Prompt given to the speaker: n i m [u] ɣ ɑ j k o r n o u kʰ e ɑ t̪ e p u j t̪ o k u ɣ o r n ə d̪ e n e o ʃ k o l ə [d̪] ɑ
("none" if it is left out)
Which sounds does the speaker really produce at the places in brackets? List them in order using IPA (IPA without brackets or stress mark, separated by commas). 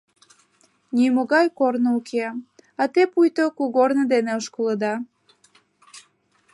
o, d̪